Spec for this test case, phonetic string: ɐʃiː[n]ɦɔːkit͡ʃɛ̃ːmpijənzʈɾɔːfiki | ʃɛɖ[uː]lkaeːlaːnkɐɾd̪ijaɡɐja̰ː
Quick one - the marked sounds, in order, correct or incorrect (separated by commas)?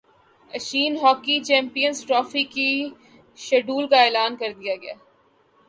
correct, correct